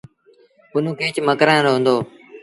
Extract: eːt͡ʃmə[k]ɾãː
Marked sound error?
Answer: no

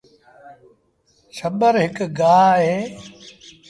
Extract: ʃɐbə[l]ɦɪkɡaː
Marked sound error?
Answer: yes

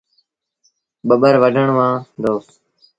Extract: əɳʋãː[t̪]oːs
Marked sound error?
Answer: yes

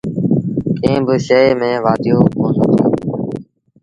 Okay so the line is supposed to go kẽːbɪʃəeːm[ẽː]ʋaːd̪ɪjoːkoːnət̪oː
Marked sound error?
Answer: no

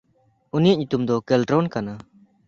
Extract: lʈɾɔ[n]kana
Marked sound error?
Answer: no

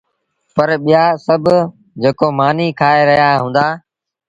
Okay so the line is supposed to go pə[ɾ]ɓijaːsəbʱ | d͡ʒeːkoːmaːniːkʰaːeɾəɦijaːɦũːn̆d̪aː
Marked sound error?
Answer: no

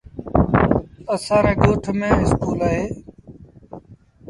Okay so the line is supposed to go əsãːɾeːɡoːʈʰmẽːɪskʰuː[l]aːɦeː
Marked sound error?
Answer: no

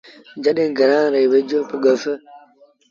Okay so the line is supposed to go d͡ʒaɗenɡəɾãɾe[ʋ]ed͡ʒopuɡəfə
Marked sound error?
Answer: yes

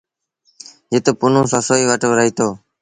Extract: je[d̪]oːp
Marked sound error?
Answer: yes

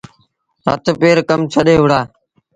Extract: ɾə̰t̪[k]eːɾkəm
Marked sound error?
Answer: yes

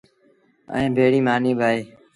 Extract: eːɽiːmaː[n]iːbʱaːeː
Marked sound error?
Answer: no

